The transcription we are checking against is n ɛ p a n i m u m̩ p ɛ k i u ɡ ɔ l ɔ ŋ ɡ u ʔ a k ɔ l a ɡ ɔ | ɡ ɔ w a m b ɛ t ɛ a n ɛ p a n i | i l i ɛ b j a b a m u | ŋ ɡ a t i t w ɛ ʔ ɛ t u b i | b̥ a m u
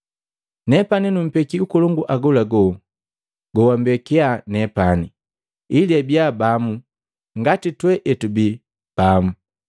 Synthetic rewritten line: n ɛ p a n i n u m̩ p ɛ k i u k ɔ l ɔ ŋ ɡ u ʔ a ɡ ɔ l a ɡ ɔ | ɡ ɔ w a m b ɛ k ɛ a n ɛ p a n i | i l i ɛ b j a b a m u | ŋ ɡ a t i t w ɛ ʔ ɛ t u b i | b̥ a m u